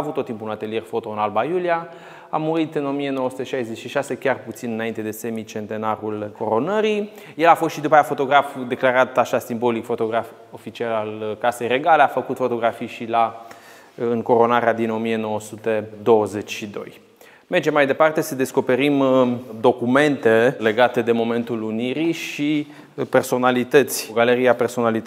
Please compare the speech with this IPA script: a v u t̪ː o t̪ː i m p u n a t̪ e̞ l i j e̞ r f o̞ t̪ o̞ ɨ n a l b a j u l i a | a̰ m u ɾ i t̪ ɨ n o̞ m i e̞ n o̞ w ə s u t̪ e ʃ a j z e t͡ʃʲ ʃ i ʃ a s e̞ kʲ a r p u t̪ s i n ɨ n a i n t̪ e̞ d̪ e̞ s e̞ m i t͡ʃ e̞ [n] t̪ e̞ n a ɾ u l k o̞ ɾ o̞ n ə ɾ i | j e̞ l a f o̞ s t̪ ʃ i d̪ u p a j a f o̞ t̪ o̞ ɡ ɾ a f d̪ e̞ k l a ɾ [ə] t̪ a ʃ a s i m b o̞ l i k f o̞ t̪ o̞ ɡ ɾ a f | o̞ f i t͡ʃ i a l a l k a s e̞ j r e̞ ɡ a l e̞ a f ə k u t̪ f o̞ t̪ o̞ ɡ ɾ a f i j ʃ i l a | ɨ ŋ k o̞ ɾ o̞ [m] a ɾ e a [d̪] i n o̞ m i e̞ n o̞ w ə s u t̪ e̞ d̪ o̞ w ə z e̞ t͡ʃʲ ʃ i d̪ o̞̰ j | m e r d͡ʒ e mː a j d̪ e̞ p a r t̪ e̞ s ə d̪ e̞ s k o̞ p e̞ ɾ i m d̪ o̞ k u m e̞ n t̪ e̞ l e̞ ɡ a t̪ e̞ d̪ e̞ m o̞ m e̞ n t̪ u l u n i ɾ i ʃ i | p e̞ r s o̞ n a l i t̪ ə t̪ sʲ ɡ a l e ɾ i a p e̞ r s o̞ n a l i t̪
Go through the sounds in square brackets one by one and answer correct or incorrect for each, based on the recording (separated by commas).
correct, incorrect, incorrect, correct